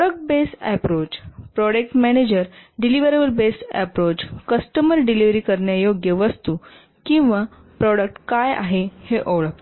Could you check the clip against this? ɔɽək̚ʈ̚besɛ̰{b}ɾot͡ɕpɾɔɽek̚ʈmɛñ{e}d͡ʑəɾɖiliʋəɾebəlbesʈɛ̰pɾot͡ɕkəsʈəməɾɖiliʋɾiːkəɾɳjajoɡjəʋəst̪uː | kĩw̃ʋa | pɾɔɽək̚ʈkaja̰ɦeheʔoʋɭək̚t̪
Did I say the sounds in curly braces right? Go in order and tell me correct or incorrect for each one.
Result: incorrect: p, correct

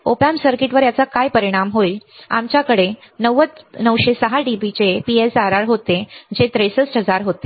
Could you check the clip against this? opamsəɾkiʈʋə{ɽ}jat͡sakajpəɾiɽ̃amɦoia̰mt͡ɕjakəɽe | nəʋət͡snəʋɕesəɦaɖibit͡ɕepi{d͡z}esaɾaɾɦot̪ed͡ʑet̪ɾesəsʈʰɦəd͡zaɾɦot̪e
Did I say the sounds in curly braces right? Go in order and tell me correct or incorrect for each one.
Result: incorrect: ɾ, incorrect: none

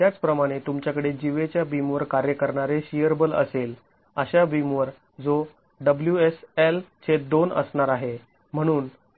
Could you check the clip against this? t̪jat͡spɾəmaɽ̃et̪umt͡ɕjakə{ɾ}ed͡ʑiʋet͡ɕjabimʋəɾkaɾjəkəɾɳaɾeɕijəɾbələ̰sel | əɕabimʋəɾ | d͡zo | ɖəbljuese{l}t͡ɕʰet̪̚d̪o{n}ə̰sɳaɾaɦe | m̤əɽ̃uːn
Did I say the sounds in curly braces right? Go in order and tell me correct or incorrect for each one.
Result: incorrect: ɽ, correct, correct

